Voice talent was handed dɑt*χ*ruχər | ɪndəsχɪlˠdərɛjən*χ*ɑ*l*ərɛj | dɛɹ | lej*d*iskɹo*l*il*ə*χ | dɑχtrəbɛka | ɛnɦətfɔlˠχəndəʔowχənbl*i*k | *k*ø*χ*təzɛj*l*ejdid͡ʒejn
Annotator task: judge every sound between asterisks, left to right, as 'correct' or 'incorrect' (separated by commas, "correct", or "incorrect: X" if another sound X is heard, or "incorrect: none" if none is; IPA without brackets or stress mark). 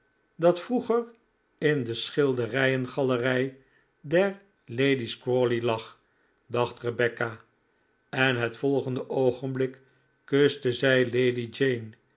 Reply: incorrect: f, correct, correct, correct, correct, incorrect: ɑ, incorrect: ɪ, correct, incorrect: s, correct